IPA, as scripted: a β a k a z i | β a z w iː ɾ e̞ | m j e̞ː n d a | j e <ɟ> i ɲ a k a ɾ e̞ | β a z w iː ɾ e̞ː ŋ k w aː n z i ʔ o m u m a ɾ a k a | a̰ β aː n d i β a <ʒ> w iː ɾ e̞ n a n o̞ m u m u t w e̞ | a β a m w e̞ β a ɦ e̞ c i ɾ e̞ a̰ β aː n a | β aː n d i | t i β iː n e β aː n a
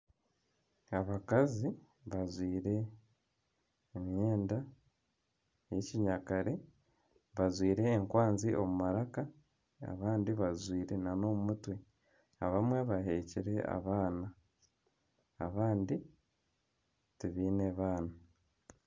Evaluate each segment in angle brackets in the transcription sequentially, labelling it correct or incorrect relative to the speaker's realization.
incorrect: c, incorrect: z

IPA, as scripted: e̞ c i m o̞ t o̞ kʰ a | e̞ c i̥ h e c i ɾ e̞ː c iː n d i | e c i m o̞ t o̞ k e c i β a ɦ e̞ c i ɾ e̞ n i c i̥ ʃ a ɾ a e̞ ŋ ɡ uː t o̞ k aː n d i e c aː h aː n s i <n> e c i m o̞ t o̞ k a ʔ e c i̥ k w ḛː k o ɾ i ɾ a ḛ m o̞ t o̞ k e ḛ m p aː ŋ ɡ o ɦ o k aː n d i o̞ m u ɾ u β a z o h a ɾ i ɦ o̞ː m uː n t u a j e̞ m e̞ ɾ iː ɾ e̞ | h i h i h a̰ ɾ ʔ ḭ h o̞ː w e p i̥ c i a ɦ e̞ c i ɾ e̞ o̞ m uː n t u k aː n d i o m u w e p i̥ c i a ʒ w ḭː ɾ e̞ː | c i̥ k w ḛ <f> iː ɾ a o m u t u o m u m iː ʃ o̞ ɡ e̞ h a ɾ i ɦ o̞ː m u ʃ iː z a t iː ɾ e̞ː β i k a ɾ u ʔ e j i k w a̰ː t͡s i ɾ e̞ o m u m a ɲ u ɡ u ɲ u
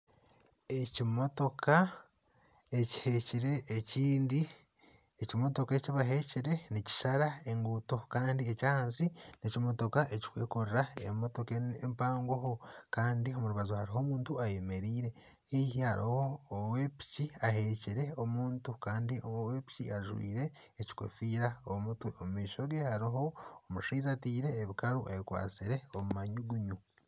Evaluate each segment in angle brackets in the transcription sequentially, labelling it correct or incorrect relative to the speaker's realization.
correct, correct

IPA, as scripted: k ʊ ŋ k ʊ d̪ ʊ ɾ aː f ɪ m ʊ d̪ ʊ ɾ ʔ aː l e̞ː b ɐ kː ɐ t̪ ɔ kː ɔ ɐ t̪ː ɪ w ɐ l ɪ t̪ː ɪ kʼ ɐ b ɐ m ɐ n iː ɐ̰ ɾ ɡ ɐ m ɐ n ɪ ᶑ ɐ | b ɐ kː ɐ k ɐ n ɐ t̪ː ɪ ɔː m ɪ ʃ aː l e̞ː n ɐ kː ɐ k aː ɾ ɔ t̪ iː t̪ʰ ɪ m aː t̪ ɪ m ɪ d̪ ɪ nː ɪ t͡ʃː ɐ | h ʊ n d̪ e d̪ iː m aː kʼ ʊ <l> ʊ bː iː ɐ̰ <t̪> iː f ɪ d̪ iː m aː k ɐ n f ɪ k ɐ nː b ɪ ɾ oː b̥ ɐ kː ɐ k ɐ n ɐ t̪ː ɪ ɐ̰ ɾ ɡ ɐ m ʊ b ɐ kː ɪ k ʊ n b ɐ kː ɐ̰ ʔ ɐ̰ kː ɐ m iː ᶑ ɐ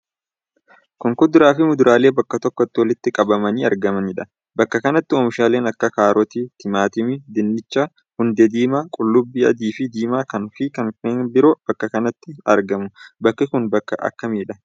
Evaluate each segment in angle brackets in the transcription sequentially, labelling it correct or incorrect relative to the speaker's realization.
incorrect: lː, incorrect: d̪

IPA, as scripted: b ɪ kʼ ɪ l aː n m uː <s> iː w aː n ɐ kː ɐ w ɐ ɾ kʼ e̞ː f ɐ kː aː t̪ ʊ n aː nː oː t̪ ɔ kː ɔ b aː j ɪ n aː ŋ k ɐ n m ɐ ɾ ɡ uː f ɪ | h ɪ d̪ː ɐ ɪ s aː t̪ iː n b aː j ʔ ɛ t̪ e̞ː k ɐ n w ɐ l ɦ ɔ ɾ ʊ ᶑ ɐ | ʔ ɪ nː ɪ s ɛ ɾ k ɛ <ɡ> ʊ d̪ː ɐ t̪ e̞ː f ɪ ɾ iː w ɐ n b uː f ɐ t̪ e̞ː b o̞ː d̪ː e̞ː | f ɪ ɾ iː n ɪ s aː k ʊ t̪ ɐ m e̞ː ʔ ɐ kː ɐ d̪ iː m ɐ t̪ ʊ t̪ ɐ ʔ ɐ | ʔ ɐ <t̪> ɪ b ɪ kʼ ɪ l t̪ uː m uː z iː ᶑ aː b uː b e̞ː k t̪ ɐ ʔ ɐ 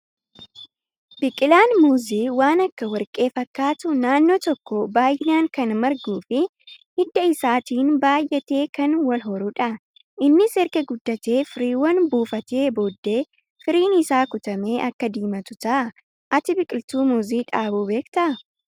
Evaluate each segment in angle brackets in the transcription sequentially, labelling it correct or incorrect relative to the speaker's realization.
incorrect: z, correct, correct

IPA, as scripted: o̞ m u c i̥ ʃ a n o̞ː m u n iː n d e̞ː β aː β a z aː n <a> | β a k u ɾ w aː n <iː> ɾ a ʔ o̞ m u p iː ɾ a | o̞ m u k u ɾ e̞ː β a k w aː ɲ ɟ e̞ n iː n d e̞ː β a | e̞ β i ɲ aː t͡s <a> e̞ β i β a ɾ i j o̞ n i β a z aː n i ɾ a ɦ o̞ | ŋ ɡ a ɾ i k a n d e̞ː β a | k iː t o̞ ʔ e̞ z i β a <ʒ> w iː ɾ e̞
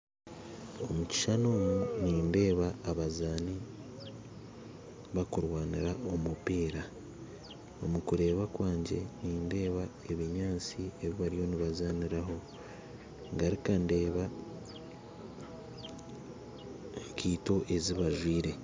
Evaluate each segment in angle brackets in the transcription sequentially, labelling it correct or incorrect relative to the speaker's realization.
incorrect: i, incorrect: i, incorrect: i, correct

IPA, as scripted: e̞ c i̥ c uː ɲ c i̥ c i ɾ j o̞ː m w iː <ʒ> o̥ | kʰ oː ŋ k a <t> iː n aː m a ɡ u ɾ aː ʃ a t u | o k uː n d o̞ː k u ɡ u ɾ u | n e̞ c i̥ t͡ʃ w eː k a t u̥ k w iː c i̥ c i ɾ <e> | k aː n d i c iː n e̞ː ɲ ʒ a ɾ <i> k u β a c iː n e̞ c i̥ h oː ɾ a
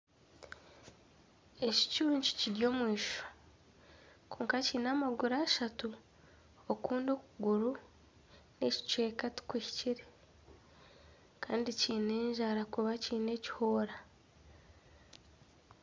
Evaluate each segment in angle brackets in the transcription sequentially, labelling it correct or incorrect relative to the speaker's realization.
incorrect: ʃ, incorrect: c, correct, incorrect: a

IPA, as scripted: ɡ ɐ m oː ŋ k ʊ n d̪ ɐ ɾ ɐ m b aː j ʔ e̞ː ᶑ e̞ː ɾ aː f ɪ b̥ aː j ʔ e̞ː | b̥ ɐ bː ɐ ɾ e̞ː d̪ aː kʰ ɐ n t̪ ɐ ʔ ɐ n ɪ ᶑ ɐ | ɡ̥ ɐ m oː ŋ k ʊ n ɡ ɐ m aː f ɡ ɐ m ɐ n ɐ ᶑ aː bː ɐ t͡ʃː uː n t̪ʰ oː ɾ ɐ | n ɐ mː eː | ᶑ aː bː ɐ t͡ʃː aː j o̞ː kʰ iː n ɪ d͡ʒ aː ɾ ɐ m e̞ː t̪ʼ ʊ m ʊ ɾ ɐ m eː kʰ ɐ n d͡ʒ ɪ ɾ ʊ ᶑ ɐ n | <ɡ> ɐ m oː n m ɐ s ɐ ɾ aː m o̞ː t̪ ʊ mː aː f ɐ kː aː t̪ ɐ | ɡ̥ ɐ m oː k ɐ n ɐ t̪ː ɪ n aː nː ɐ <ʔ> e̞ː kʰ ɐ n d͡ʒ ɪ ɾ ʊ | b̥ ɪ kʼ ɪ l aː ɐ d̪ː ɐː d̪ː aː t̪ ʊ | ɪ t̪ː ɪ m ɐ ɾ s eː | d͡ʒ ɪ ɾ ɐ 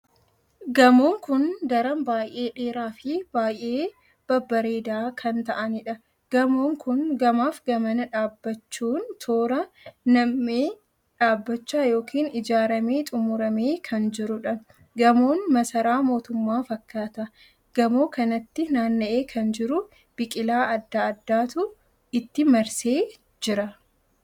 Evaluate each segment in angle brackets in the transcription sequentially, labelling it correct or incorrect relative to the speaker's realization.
correct, correct

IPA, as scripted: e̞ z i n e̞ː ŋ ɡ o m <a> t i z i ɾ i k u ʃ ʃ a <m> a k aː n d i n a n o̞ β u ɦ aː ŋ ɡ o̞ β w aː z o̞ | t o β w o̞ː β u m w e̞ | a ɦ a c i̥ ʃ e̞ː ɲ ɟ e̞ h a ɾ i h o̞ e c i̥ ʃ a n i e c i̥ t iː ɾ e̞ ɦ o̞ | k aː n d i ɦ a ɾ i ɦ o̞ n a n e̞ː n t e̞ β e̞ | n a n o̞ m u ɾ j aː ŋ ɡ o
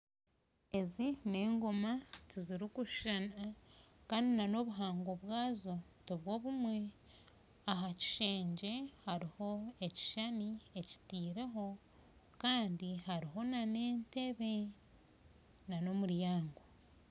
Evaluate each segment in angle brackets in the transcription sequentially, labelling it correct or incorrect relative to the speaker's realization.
correct, incorrect: n

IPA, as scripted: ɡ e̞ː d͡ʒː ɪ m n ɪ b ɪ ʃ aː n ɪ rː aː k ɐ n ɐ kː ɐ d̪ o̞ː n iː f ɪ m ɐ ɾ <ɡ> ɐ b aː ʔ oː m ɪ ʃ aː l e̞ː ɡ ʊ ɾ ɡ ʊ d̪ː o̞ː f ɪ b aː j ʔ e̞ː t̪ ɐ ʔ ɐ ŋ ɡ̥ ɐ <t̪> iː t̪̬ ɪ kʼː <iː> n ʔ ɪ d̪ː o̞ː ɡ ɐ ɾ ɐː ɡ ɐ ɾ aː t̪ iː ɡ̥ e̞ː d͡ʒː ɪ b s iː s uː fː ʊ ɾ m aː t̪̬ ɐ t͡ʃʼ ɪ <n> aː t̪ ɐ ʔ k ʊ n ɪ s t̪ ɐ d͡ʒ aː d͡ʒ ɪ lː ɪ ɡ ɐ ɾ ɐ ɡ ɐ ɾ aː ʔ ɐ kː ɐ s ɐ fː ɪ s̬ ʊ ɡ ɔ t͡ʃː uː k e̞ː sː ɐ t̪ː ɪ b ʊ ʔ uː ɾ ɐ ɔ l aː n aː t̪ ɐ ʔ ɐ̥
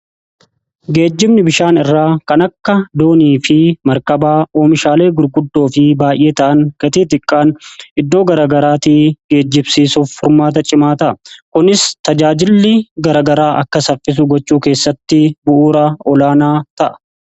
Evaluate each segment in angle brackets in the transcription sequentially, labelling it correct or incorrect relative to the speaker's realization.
incorrect: k, correct, incorrect: aː, incorrect: m

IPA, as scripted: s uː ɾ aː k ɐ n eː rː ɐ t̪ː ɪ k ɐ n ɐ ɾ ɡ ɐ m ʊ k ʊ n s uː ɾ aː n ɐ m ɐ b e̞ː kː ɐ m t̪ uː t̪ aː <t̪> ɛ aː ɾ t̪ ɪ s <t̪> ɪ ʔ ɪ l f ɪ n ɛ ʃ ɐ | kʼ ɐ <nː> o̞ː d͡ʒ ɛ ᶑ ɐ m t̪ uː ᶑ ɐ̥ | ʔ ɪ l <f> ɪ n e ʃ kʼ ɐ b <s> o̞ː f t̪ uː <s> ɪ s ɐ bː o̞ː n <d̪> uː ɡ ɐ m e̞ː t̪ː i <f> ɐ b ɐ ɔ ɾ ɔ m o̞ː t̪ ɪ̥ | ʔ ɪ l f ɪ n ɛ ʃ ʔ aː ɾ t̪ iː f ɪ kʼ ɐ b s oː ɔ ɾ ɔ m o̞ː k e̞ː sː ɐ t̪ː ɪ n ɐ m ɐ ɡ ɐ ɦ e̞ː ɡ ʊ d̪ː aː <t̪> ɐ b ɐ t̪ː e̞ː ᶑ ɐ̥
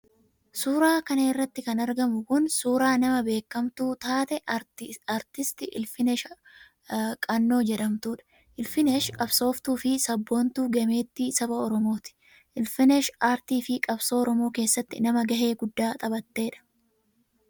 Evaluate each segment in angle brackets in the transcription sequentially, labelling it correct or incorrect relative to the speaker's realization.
correct, correct, correct, correct, correct, incorrect: f, incorrect: t̪, incorrect: s, incorrect: t̪ʼ

